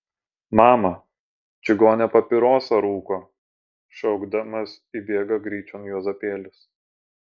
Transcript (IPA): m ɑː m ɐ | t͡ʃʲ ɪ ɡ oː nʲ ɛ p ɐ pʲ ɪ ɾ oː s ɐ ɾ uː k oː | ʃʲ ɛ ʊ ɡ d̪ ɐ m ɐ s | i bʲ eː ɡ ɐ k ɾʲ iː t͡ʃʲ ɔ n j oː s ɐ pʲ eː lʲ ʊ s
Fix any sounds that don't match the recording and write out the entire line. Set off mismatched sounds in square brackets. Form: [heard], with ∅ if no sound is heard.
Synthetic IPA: m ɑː m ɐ | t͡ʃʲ ɪ ɡ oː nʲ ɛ p ɐ pʲ ɪ ɾ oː s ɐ ɾ uː k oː | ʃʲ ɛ ʊ ɡ d̪ ɐ m ɐ s | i bʲ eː ɡ ɐ [ɡ] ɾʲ iː t͡ʃʲ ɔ n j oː [z] ɐ pʲ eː lʲ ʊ s

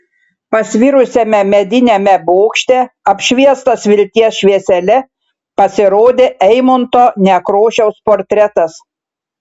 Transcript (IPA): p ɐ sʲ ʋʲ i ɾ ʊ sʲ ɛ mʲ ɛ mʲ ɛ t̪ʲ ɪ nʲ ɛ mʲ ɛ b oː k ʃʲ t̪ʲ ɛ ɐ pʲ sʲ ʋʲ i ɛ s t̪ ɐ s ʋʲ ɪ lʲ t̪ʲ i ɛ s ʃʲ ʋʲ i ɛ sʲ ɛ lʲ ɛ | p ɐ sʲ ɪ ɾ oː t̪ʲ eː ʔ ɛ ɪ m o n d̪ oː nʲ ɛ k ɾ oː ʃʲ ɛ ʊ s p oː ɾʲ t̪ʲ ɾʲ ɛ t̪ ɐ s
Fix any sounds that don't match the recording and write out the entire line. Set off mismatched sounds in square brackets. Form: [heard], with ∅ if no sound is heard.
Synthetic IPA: p ɐ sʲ ʋʲ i ɾ ʊ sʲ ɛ mʲ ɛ mʲ ɛ [d̪ʲ] ɪ nʲ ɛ mʲ ɛ b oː k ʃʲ t̪ʲ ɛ ɐ pʲ [ʃʲ] ʋʲ i ɛ s t̪ ɐ s ʋʲ ɪ lʲ t̪ʲ i ɛ s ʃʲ ʋʲ i ɛ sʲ ɛ lʲ ɛ | p ɐ sʲ ɪ ɾ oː [d̪ʲ] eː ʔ ɛ ɪ m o n [t̪] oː nʲ ɛ k ɾ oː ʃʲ ɛ ʊ s p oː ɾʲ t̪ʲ ɾʲ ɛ t̪ ɐ s

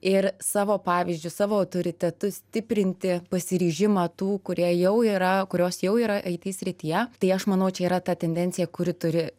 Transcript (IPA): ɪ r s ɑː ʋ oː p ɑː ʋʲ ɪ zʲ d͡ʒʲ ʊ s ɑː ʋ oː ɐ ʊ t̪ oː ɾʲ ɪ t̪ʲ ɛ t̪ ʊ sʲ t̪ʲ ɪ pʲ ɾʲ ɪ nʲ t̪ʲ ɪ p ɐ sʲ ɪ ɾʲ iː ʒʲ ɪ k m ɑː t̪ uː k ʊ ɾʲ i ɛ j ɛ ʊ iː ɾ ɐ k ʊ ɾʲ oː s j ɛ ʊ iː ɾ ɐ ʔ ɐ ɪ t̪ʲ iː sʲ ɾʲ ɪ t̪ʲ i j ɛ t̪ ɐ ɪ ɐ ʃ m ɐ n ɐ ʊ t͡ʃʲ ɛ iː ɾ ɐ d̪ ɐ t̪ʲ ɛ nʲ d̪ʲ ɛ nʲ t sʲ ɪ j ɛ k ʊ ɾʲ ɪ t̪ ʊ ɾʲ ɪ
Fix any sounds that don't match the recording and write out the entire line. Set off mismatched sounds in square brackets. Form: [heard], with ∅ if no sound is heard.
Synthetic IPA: ɪ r s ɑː ʋ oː p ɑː ʋʲ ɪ zʲ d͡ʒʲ ʊ s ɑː ʋ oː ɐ ʊ t̪ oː ɾʲ ɪ t̪ʲ ɛ t̪ ʊ sʲ t̪ʲ ɪ pʲ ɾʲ ɪ nʲ t̪ʲ ɪ p ɐ sʲ ɪ ɾʲ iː ʒʲ ɪ [∅] m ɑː t̪ uː k ʊ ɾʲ i ɛ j ɛ ʊ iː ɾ ɐ k ʊ ɾʲ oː s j ɛ ʊ iː ɾ ɐ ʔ ɐ ɪ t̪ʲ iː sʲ ɾʲ ɪ t̪ʲ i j ɛ t̪ ɐ ɪ ɐ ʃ m ɐ n ɐ ʊ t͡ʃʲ ɛ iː ɾ ɐ [t̪] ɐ t̪ʲ ɛ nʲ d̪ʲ ɛ nʲ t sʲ ɪ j ɛ k ʊ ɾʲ ɪ t̪ ʊ ɾʲ ɪ

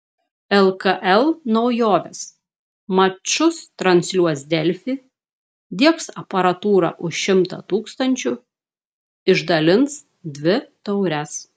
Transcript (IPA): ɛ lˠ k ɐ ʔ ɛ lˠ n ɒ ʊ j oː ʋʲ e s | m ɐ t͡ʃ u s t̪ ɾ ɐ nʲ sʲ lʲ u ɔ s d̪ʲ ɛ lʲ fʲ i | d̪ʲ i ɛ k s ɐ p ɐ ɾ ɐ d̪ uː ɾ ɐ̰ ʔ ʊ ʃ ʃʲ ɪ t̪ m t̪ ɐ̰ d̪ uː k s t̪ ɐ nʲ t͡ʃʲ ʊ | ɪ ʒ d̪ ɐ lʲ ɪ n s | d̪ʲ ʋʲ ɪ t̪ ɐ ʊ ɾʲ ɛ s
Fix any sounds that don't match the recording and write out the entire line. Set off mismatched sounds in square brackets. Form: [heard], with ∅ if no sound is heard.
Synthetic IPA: ɛ lˠ k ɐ ʔ ɛ lˠ n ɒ ʊ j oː ʋʲ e s | m ɐ t͡ʃ [ʊ] s t̪ ɾ ɐ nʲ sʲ lʲ u ɔ s d̪ʲ ɛ lʲ fʲ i | d̪ʲ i ɛ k s ɐ p ɐ ɾ ɐ [t̪] uː ɾ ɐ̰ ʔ ʊ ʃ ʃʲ ɪ [∅] m t̪ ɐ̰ [t̪] uː k s t̪ ɐ nʲ t͡ʃʲ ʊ | ɪ ʒ d̪ ɐ lʲ ɪ n s | d̪ʲ ʋʲ ɪ t̪ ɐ ʊ ɾʲ ɛ s

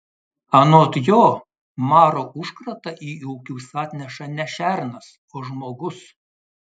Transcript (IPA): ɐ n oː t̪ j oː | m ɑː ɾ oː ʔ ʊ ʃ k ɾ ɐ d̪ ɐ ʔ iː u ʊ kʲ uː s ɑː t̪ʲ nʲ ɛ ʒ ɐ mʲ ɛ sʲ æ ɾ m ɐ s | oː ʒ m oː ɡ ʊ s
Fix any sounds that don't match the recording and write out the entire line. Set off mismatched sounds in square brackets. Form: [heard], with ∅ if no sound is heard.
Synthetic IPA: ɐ n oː t̪ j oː | m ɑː ɾ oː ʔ ʊ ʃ k ɾ ɐ [t̪] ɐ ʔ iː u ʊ kʲ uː s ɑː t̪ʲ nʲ ɛ [ʃ] ɐ [nʲ] ɛ [ʃʲ] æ ɾ [n] ɐ s | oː ʒ m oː ɡ ʊ s

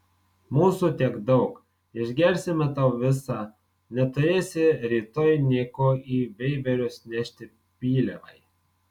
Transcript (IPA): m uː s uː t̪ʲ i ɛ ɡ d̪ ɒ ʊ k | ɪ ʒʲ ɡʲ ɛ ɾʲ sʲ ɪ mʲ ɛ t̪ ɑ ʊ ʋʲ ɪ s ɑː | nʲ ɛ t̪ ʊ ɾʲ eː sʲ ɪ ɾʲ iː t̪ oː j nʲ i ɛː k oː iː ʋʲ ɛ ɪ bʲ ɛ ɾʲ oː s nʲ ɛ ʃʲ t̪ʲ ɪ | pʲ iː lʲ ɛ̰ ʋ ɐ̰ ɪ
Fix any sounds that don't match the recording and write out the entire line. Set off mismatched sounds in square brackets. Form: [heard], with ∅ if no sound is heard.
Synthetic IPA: m uː s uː t̪ʲ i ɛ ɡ d̪ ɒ ʊ k | ɪ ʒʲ ɡʲ ɛ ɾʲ sʲ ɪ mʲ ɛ t̪ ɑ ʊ ʋʲ ɪ s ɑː | nʲ ɛ t̪ ʊ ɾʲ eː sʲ ɪ ɾʲ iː t̪ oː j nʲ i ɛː k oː iː ʋʲ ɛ ɪ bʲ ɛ ɾʲ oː s nʲ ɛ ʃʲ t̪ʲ ɪ | pʲ iː lʲ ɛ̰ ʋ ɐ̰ ɪ

